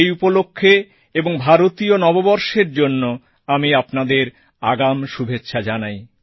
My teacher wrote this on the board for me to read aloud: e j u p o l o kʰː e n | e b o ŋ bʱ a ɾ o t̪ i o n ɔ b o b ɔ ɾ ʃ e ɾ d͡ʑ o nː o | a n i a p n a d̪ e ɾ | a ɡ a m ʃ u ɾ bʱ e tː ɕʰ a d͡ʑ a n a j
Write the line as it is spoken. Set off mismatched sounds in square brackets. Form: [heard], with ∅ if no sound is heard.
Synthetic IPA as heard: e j u p o l o kʰː e [∅] | e b o ŋ bʱ a ɾ o t̪ i o n ɔ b o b ɔ ɾ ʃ e ɾ d͡ʑ o nː o | a [m] i a p n a d̪ e ɾ | a ɡ a m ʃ u [∅] bʱ e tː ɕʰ a d͡ʑ a n a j